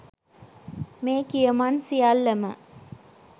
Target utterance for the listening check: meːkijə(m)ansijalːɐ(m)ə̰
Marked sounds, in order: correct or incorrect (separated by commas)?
correct, correct